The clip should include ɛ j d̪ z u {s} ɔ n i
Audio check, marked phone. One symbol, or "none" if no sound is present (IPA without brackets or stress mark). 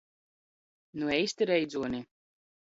none